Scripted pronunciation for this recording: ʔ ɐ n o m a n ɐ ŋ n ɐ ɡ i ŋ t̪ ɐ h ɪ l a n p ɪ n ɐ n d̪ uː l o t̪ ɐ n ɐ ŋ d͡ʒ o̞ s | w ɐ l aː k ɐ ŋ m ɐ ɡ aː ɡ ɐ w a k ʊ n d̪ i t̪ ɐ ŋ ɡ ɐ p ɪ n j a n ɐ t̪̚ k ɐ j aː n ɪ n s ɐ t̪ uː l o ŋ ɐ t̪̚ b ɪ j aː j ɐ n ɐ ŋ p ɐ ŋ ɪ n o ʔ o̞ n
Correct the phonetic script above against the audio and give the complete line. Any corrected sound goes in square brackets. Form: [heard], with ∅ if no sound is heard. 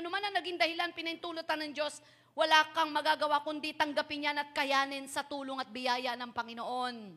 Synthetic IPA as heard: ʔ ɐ n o m a n ɐ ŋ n ɐ ɡ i ŋ [d̪] ɐ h ɪ l a n p ɪ n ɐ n [t̪] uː l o t̪ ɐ n ɐ ŋ d͡ʒ o̞ s | w ɐ l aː k ɐ ŋ m ɐ ɡ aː ɡ ɐ w a k ʊ n d̪ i t̪ ɐ ŋ ɡ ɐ p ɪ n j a n ɐ t̪̚ k ɐ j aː n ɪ n s ɐ t̪ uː l o ŋ ɐ t̪̚ b ɪ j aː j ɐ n ɐ ŋ p ɐ ŋ ɪ n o ʔ o̞ n